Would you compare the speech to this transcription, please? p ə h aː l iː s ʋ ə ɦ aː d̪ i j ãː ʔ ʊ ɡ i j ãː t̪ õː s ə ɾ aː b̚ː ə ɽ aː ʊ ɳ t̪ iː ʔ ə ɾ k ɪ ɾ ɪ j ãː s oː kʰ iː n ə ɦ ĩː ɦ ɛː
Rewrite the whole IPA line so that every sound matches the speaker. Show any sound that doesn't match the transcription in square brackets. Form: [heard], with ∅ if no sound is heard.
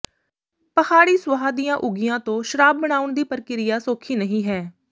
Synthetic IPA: p ə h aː [ɽ] iː s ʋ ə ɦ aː d̪ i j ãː ʔ ʊ ɡ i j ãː t̪ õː [ʃ] ə ɾ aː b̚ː ə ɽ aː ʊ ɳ [d̪] iː [p] ə ɾ k ɪ ɾ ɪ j [aː] s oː kʰ iː n ə ɦ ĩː ɦ ɛː